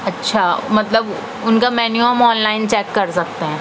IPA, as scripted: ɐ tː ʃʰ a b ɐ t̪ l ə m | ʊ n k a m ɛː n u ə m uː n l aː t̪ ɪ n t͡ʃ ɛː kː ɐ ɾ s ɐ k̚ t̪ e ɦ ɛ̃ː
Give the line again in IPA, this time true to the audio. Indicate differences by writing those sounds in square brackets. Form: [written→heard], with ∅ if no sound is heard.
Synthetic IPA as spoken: ɐ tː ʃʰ a [b→m] ɐ t̪ l ə [m→b] | ʊ n k a m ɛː n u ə m [uː→ɔː] n l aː [t̪→∅] ɪ n t͡ʃ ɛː kː ɐ ɾ s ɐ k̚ t̪ e ɦ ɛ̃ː